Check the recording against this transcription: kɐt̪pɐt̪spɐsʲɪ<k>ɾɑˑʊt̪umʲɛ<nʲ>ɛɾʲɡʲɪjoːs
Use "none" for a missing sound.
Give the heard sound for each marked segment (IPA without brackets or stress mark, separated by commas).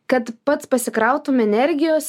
k, nʲ